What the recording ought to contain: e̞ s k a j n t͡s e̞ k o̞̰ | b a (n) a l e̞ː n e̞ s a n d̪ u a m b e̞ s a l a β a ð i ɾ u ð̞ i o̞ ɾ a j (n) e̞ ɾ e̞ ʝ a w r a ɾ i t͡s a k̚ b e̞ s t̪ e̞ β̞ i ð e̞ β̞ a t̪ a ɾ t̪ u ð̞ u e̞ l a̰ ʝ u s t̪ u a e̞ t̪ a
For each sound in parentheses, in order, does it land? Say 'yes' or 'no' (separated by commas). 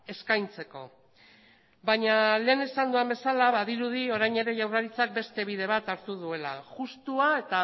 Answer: no, no